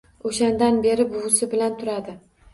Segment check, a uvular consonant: absent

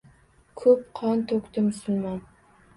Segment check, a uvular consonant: present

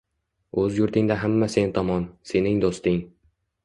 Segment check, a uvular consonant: absent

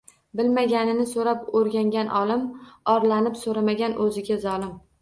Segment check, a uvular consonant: absent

